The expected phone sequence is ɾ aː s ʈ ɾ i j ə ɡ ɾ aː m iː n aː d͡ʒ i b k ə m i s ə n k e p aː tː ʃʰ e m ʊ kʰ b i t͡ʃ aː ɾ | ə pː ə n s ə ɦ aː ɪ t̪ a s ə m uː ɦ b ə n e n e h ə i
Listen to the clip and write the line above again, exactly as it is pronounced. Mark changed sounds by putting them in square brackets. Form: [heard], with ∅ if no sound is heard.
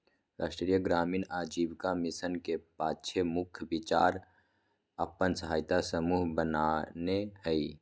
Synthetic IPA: ɾ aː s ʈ ɾ i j ə ɡ ɾ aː m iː n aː d͡ʒ i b k [a] m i s ə n k e p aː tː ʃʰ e m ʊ kʰ b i t͡ʃ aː ɾ | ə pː ə n s ə ɦ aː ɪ t̪ a s ə m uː ɦ b ə n [a] n e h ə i